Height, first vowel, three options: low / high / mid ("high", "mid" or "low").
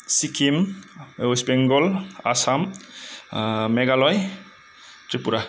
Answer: high